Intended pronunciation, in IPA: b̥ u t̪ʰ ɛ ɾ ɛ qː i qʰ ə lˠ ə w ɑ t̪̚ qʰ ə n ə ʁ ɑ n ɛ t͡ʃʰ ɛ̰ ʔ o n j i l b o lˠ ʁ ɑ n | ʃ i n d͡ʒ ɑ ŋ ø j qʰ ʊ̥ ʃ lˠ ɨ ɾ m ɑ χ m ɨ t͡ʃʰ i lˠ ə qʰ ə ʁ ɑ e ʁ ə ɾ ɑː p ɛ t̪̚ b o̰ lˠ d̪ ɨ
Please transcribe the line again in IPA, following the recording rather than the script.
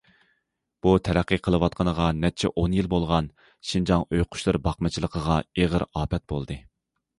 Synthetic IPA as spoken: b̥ u t̪ʰ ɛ ɾ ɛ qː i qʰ ə lˠ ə w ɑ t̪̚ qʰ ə n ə ʁ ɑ n ɛ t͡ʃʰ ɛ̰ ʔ o n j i l b o lˠ ʁ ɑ n | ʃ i n d͡ʒ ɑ ŋ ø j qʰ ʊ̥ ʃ lˠ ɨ ɾ b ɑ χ m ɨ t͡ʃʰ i lˠ ə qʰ ə ʁ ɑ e ʁ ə ɾ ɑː p ɛ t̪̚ b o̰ lˠ d̪ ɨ